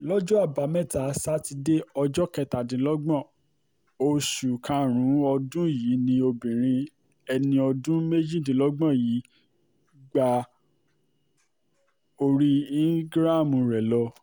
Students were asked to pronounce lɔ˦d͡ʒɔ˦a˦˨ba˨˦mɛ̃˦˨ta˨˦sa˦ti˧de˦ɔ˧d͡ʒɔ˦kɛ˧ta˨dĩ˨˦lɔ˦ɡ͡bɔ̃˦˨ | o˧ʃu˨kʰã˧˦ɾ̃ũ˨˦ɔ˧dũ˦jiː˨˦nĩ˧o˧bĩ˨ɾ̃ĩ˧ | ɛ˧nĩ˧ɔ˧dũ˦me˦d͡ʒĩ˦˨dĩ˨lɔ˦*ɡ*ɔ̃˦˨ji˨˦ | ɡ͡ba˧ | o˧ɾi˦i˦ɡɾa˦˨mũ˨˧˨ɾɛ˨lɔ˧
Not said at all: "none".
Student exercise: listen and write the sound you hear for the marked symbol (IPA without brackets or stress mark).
ɡ͡b